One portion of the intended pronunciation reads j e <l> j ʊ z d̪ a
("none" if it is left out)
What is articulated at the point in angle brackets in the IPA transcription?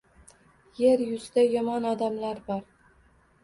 ɾ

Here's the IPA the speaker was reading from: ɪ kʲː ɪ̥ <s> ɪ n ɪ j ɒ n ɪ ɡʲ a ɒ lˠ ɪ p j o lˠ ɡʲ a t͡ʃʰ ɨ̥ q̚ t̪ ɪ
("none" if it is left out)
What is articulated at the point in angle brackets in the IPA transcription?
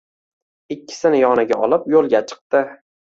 s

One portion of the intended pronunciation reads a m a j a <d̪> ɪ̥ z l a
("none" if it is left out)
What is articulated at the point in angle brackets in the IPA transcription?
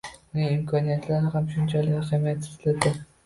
t̪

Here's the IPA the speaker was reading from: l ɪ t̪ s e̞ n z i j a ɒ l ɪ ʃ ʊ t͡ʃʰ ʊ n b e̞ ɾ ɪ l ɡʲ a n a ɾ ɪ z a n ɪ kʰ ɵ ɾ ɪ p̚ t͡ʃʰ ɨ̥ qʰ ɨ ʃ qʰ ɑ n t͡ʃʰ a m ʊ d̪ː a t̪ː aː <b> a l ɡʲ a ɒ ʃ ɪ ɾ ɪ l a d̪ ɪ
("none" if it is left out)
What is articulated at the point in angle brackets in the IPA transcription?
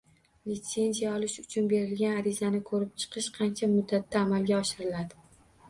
m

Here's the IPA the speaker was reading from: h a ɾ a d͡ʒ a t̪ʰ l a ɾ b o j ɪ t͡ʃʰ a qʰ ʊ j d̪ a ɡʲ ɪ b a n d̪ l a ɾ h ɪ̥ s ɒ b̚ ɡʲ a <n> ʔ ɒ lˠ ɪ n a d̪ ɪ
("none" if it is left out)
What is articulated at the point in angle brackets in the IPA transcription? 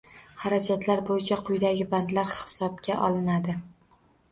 none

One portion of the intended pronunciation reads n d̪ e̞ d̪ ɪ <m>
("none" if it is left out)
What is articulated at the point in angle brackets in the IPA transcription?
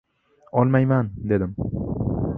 m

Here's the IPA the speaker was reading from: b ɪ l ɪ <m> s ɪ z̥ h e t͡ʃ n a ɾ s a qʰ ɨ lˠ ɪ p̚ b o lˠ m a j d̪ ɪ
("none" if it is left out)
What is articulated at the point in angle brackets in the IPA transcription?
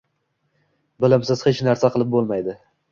m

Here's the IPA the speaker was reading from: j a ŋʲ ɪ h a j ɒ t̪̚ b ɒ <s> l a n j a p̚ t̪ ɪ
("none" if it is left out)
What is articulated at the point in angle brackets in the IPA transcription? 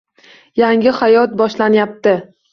ʃ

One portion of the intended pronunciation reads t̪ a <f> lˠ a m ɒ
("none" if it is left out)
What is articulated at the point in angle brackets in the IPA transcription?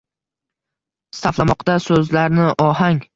f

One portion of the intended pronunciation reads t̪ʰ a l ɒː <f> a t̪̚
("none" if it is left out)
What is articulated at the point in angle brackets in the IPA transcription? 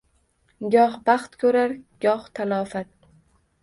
f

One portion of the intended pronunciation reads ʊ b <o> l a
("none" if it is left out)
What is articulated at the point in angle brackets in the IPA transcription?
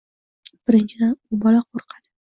ɒ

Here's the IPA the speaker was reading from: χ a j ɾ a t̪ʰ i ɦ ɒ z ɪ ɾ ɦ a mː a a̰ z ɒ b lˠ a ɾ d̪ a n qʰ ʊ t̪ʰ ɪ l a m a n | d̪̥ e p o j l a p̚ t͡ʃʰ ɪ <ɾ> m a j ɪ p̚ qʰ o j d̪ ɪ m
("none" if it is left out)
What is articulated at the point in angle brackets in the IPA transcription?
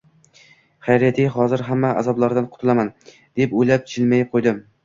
l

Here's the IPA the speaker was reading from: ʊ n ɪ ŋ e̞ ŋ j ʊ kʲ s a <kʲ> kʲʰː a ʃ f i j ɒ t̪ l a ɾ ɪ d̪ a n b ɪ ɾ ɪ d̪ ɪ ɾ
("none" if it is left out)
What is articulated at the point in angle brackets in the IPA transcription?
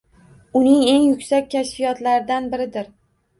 kʲ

